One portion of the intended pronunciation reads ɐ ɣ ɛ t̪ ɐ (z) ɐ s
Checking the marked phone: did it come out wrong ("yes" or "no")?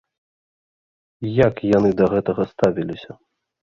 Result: yes